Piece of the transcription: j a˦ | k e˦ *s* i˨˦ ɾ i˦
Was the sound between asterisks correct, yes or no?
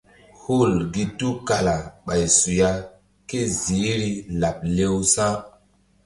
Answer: no